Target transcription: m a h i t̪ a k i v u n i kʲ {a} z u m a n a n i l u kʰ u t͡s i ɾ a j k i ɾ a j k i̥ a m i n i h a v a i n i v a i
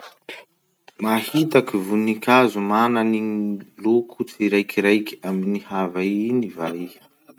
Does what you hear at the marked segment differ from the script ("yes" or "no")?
no